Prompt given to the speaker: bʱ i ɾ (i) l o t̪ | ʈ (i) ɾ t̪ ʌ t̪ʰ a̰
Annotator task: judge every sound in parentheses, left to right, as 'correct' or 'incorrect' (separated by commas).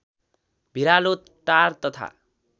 incorrect, incorrect